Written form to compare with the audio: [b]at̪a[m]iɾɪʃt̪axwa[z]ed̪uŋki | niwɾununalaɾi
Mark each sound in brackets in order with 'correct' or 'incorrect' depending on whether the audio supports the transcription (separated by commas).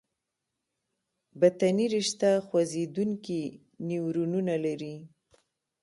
correct, incorrect, correct